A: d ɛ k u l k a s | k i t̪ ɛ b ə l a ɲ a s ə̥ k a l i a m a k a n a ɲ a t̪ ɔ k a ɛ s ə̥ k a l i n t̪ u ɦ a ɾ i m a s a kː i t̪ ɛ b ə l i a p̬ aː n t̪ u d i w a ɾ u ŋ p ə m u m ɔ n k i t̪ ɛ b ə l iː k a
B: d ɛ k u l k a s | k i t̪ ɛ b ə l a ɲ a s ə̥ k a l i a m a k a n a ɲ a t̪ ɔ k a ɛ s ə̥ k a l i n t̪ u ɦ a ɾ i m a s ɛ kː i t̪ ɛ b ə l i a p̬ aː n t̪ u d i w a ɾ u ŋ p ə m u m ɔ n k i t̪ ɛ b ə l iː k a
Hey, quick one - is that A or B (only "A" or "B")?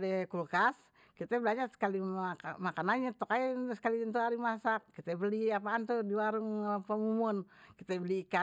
A